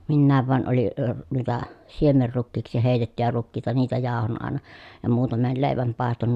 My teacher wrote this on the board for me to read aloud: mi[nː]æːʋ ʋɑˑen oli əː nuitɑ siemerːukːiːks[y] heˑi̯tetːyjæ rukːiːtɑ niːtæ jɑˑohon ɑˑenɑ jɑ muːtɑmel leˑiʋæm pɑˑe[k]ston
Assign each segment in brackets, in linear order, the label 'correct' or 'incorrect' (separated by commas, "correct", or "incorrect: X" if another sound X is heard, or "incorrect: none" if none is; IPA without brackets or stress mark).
correct, incorrect: i, incorrect: none